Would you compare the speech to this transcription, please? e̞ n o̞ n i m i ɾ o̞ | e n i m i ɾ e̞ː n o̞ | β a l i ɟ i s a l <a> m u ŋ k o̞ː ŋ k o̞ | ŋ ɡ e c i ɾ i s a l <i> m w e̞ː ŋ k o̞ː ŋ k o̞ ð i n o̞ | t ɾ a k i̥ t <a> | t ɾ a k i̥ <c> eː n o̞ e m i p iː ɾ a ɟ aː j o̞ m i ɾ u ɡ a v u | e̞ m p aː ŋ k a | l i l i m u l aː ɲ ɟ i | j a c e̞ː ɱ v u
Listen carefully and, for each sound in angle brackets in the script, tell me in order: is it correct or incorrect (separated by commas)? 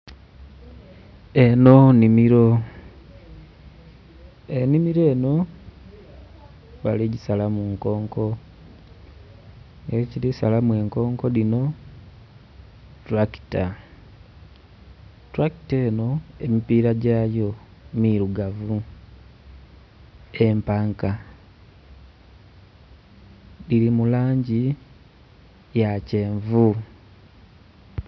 correct, incorrect, correct, incorrect